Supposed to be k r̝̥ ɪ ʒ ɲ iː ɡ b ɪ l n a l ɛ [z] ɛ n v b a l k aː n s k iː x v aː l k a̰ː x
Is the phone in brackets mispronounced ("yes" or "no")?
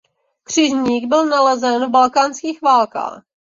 no